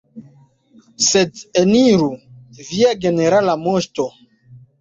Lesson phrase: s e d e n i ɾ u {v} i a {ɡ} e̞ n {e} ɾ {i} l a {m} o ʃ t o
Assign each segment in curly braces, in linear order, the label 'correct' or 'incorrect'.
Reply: correct, correct, correct, incorrect, correct

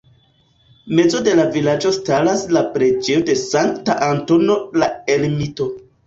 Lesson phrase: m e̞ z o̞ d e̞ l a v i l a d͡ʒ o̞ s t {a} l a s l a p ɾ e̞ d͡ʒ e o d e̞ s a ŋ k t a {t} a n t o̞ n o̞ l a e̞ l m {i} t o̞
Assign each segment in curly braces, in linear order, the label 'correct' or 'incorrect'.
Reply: correct, incorrect, correct

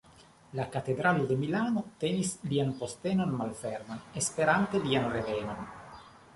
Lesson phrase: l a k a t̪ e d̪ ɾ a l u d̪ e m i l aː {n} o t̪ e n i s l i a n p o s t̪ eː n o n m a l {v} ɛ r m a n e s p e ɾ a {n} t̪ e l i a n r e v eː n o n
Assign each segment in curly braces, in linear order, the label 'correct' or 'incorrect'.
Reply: correct, incorrect, correct

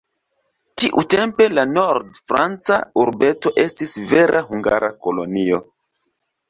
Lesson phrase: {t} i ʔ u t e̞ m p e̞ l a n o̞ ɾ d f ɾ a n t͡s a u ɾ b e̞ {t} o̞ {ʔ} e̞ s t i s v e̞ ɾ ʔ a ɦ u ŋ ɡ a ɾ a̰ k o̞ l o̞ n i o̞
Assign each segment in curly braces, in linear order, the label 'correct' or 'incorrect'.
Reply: correct, correct, correct

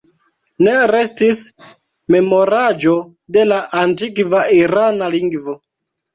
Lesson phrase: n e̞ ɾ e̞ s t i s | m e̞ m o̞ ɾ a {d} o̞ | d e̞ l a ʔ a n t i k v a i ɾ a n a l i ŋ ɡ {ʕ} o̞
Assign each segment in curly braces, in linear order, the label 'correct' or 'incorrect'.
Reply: incorrect, incorrect

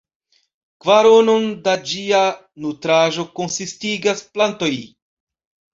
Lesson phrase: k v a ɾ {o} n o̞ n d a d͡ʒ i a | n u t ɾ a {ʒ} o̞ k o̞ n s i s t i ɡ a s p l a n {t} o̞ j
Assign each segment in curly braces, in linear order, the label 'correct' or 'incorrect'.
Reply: correct, correct, correct

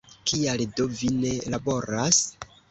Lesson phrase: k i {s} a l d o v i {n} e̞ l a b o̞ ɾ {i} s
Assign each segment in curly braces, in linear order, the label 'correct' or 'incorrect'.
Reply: incorrect, correct, incorrect

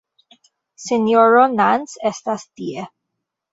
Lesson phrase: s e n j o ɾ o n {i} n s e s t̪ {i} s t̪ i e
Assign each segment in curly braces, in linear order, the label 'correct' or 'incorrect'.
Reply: incorrect, incorrect

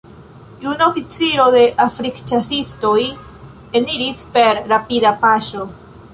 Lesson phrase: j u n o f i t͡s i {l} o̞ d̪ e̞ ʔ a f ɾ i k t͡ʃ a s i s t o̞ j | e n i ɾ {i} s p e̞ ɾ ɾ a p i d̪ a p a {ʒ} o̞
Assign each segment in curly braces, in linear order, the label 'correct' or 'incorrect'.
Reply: incorrect, correct, incorrect

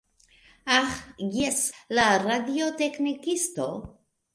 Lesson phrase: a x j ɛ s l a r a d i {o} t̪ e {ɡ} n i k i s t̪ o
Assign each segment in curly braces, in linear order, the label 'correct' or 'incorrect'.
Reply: correct, incorrect

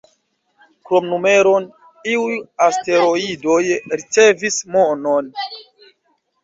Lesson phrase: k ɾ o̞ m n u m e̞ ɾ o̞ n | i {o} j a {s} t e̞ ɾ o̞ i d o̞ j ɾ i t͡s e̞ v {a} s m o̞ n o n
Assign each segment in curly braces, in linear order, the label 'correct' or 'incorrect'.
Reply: incorrect, correct, incorrect

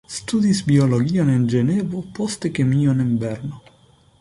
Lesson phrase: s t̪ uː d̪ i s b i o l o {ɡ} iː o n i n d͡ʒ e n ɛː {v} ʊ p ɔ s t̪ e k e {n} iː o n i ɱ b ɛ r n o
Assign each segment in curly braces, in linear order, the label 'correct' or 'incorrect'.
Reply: correct, correct, incorrect

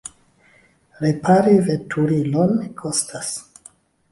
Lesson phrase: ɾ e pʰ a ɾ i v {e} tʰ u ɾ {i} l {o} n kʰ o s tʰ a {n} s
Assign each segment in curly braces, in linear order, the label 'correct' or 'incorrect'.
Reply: correct, correct, correct, incorrect

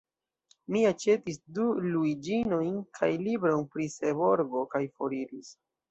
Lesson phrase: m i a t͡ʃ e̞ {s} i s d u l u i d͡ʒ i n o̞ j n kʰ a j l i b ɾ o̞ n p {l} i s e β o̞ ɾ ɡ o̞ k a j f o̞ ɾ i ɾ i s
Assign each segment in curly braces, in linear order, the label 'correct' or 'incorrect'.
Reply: incorrect, incorrect

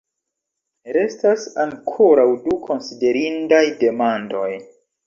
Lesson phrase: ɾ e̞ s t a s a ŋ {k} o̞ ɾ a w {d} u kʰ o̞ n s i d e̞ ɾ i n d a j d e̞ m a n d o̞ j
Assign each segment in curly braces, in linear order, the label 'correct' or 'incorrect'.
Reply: incorrect, correct

